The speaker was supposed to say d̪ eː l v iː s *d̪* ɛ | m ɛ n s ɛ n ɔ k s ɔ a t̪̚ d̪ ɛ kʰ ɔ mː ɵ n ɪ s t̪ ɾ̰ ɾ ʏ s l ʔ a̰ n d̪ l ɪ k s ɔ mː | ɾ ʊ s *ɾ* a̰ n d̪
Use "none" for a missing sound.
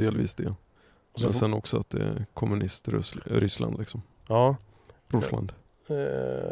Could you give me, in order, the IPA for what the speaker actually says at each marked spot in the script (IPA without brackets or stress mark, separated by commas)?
d̪, l